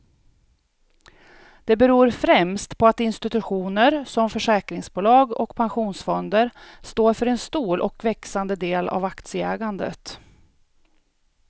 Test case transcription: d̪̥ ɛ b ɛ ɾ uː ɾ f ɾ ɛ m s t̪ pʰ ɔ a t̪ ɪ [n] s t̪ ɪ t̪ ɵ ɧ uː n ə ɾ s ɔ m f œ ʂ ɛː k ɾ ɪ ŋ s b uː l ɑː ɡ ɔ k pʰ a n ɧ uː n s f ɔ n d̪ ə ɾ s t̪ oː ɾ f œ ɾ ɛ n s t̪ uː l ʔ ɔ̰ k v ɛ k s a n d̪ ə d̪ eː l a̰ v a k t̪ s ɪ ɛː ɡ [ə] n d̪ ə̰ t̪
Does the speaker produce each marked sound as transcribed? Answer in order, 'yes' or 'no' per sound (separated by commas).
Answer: yes, no